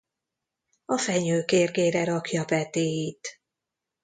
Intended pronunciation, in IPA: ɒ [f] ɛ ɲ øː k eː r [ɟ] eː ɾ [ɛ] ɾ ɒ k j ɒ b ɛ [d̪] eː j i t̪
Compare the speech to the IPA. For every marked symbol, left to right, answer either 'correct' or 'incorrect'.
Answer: correct, incorrect, correct, incorrect

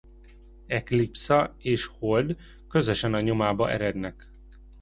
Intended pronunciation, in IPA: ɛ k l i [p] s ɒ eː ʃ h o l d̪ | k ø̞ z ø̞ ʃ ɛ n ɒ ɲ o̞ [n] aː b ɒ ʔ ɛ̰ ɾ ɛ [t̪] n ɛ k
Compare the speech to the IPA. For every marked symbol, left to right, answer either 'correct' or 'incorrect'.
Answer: correct, incorrect, incorrect

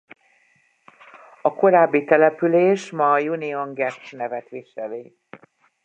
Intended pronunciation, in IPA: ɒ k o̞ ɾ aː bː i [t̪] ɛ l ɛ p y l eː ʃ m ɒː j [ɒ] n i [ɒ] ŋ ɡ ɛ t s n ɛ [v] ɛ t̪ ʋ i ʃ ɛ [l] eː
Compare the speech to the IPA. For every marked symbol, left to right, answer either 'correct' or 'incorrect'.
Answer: correct, incorrect, incorrect, correct, correct

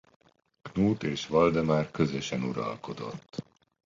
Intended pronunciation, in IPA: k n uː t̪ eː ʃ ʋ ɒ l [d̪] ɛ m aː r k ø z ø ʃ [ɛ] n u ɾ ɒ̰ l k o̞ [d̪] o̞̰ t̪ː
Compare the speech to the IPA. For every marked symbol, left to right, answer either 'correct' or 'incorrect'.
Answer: correct, correct, correct

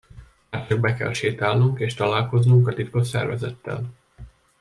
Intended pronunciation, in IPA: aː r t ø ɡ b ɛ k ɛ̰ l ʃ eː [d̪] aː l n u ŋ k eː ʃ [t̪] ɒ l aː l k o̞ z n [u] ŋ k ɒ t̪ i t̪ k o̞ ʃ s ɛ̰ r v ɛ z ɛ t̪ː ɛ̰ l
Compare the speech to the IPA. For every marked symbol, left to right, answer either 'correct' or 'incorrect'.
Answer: incorrect, correct, correct

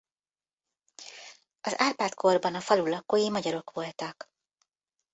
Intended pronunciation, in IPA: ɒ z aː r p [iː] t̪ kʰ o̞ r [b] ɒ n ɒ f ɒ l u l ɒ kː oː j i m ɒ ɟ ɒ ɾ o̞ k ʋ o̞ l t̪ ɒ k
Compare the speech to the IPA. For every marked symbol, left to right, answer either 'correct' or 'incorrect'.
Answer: incorrect, correct

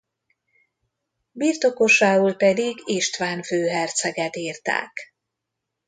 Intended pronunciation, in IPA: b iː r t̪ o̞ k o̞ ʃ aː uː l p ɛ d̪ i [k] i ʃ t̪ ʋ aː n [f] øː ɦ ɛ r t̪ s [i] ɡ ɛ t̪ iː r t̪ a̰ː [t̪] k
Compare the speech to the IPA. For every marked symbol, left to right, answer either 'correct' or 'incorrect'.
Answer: incorrect, correct, incorrect, incorrect

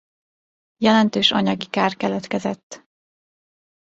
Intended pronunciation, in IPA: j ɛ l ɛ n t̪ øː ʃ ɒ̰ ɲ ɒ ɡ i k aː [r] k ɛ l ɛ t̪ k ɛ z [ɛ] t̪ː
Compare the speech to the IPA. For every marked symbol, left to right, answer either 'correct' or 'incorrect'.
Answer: correct, correct

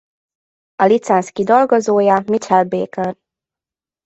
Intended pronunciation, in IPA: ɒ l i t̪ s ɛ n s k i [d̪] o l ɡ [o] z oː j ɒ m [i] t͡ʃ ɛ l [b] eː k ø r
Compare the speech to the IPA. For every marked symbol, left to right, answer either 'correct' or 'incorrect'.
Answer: correct, correct, correct, correct

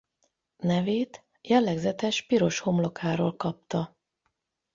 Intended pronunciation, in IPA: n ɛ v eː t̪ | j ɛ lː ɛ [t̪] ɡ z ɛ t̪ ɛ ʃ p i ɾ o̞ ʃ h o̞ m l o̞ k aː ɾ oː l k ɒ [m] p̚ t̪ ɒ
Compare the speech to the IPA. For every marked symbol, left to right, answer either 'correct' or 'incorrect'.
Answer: incorrect, incorrect

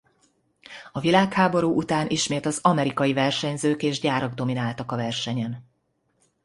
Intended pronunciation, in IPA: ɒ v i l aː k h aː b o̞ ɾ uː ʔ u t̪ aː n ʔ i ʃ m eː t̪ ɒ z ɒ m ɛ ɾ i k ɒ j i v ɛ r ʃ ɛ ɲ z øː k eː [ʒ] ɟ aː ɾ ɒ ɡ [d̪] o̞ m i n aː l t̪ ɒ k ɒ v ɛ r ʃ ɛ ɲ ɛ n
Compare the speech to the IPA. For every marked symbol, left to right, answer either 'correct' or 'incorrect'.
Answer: correct, correct

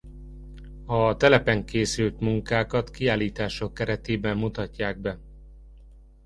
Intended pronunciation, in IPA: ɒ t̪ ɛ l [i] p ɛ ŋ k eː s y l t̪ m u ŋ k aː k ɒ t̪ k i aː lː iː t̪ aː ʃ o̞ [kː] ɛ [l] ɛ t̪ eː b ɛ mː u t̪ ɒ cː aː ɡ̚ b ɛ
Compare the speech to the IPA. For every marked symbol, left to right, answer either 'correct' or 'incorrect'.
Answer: incorrect, correct, incorrect

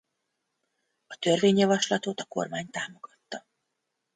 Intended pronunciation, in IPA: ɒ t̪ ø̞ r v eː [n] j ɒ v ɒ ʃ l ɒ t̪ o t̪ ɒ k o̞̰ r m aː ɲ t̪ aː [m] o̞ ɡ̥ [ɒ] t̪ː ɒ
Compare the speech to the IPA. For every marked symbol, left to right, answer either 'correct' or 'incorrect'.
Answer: incorrect, correct, correct

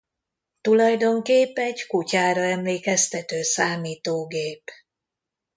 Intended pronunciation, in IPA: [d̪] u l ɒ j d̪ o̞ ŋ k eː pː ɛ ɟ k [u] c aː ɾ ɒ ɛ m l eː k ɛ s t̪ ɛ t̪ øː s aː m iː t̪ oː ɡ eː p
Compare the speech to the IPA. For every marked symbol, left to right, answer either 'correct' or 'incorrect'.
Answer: incorrect, correct

